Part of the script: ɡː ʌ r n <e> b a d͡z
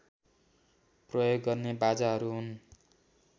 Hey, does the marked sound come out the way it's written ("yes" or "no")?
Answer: yes